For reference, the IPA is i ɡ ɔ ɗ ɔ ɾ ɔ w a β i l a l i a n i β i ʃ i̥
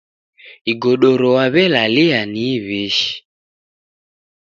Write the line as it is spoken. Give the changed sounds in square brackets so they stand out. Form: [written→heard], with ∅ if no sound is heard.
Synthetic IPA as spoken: i ɡ ɔ ɗ ɔ ɾ ɔ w a β [i→ɛ] l a l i a n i β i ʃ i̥